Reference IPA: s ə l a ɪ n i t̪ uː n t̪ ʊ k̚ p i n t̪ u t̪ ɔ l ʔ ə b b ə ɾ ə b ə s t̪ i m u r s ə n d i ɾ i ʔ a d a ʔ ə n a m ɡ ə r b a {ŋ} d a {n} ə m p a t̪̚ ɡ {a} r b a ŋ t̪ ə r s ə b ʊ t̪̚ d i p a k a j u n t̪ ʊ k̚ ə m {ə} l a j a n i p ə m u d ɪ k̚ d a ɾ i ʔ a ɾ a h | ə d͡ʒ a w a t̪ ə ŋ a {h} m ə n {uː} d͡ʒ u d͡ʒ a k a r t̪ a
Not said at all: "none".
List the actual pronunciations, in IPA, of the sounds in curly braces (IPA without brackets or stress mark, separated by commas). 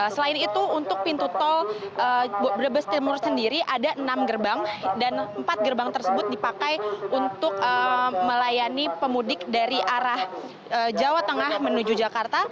ŋ, n, ə, ə, h, u